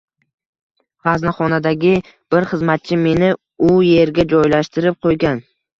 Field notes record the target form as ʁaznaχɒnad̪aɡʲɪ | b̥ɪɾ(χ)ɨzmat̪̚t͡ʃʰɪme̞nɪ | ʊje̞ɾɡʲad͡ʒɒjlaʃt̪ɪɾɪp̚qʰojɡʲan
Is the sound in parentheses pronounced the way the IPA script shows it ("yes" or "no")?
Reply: yes